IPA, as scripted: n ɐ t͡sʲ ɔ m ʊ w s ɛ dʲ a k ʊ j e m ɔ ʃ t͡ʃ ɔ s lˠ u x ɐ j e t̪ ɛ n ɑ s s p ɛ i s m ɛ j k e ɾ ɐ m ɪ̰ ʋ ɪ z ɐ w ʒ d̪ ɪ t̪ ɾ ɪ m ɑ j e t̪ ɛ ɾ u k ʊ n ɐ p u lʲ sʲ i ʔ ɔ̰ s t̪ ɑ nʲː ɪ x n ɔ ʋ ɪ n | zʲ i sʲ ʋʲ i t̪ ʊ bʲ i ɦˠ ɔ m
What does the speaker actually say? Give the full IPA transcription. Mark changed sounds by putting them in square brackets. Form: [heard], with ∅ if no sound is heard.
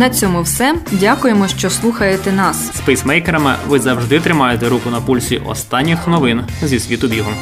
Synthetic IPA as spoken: n ɐ t͡sʲ ɔ m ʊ w s ɛ dʲ a k ʊ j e m ɔ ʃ t͡ʃ ɔ s lˠ u x ɐ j e t̪ ɛ n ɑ s s p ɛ [j] s m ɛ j k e ɾ ɐ m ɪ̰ ʋ ɪ z ɐ w ʒ d̪ ɪ t̪ ɾ ɪ m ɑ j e t̪ ɛ ɾ u k ʊ n ɐ p u lʲ sʲ i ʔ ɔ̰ s t̪ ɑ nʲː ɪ x n ɔ ʋ ɪ n | zʲ i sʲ ʋʲ i t̪ ʊ bʲ i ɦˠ ɔ m